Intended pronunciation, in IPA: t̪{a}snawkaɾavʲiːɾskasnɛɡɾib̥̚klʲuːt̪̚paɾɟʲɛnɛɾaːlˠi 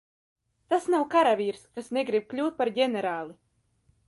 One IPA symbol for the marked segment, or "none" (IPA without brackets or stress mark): a